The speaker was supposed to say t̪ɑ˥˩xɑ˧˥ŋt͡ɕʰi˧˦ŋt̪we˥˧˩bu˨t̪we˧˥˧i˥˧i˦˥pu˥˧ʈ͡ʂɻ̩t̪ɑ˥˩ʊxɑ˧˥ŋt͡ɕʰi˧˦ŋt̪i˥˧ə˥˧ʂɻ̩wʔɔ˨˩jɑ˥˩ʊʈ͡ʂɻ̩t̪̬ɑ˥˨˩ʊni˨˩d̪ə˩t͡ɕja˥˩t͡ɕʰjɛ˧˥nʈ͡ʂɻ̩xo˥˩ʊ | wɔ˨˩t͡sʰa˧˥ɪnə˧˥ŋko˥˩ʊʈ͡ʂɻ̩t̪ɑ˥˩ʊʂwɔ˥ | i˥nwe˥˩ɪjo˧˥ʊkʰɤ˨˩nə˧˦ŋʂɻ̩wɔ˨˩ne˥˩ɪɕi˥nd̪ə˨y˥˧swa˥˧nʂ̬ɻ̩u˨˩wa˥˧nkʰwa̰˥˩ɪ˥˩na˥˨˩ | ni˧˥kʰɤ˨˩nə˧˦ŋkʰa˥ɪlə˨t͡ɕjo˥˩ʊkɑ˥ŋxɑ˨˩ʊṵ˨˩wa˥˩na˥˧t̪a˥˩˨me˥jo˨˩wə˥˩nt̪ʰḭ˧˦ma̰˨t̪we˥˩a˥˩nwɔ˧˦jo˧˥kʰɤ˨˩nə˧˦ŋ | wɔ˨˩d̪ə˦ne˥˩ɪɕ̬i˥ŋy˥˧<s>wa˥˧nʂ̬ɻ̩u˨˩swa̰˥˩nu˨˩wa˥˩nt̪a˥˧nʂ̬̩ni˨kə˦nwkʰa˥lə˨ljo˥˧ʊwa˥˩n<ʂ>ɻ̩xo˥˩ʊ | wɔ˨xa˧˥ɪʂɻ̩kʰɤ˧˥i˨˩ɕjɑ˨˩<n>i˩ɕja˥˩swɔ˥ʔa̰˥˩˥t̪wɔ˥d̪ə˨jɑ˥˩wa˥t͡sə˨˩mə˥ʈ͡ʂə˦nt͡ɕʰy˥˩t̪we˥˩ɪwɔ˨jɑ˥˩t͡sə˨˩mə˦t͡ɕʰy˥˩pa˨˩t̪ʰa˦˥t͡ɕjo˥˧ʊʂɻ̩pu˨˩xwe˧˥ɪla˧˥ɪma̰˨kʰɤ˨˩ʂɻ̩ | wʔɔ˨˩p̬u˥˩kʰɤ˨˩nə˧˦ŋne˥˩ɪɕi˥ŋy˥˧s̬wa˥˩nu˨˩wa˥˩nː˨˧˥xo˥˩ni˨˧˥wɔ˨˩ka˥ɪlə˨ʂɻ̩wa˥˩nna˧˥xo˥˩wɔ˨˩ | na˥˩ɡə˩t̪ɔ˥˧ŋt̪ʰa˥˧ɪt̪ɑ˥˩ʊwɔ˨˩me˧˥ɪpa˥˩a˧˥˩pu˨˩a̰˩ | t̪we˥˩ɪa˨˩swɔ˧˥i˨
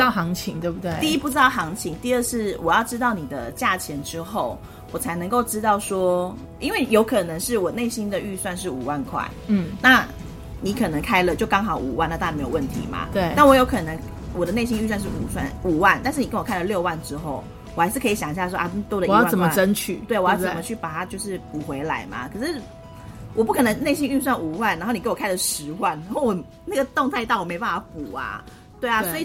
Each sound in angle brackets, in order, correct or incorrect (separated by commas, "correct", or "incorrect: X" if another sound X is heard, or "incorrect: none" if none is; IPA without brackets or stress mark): correct, incorrect: ʈ͡ʂ, incorrect: ŋ